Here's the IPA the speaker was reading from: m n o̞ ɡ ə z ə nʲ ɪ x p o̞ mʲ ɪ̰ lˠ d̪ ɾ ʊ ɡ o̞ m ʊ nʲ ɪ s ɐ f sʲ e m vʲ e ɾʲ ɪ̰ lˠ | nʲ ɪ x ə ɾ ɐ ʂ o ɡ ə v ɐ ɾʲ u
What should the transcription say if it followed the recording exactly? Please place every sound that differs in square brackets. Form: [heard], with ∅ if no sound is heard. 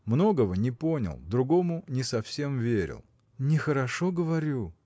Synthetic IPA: m n o̞ ɡ ə [v] ə nʲ ɪ [∅] p o̞ [nʲ] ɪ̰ lˠ d̪ ɾ ʊ ɡ o̞ m ʊ nʲ ɪ s ɐ f sʲ e m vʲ e ɾʲ ɪ̰ lˠ | nʲ ɪ x ə ɾ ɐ ʂ o ɡ ə v ɐ ɾʲ u